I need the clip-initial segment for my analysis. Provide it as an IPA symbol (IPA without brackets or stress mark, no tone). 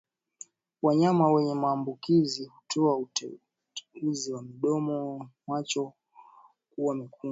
w